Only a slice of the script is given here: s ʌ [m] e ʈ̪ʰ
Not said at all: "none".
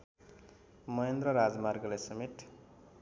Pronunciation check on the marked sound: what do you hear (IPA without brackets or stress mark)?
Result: m